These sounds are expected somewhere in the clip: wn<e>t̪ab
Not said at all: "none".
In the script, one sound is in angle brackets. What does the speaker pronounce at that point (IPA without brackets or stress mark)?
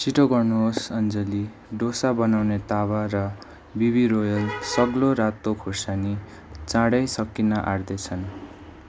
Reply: e